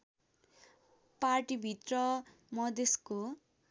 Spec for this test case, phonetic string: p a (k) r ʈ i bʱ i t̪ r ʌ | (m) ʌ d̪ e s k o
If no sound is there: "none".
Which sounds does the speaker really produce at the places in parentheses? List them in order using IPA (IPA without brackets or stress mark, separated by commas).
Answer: none, m